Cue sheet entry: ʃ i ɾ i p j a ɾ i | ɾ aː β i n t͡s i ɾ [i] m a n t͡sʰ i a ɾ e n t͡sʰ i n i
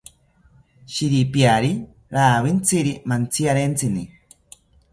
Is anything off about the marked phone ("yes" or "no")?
no